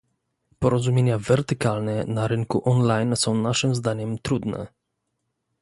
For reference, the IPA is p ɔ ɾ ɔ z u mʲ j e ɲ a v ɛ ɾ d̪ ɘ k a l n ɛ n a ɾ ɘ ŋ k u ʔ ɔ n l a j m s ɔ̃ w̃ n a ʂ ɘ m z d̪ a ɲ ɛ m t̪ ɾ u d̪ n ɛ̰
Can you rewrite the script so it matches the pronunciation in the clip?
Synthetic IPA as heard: p ɔ ɾ ɔ z u mʲ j e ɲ a v ɛ ɾ t̪ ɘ k a l n ɛ n a ɾ ɘ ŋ k u ʔ ɔ n l a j n s ɔ̃ w̃ n a ʂ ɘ m z d̪ a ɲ ɛ m t̪ ɾ u d̪ n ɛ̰